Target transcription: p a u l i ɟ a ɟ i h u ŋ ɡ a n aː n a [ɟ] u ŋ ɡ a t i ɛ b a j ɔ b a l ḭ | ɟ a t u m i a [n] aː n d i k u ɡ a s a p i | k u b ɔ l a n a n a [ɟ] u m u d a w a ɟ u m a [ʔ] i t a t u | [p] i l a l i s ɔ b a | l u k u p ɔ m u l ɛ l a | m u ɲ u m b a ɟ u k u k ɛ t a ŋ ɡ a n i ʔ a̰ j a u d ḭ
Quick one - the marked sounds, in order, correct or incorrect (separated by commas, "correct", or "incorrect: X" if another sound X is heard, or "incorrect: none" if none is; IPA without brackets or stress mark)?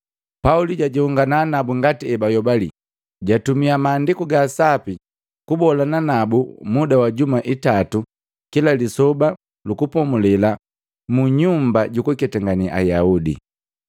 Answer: incorrect: b, incorrect: m, incorrect: b, correct, incorrect: k